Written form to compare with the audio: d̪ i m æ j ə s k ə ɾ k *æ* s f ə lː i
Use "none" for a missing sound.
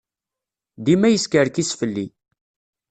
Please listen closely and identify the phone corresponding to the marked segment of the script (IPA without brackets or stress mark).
i